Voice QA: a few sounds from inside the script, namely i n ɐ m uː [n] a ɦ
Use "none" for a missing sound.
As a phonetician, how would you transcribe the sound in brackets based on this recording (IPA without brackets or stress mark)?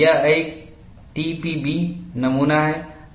n